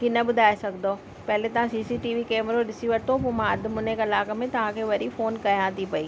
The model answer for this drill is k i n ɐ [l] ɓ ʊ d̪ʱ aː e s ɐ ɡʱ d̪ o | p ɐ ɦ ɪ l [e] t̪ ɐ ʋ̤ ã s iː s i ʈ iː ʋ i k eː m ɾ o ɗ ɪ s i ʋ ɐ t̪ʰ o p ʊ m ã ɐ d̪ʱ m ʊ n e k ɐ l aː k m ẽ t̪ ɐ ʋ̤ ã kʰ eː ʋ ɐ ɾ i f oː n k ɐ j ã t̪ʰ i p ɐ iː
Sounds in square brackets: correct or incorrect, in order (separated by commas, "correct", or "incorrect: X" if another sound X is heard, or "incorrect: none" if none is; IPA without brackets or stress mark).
incorrect: none, correct